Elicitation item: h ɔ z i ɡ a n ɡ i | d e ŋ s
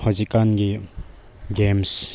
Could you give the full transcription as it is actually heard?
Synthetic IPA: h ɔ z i k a n ɡ i | ɡ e m s